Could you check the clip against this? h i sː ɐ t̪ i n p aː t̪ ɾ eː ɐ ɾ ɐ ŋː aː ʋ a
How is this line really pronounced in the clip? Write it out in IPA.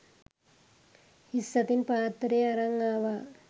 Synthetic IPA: h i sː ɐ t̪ i n p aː t̪ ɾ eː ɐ ɾ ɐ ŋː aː ʋ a